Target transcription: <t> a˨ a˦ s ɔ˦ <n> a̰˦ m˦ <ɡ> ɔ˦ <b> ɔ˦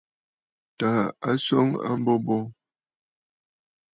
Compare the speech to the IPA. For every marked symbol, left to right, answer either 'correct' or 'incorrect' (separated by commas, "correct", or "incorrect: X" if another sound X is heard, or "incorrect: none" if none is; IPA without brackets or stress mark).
correct, incorrect: ŋ, incorrect: b, correct